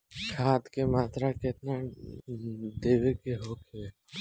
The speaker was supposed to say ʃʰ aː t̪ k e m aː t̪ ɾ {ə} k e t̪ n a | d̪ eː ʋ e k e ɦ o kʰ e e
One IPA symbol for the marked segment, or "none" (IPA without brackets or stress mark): a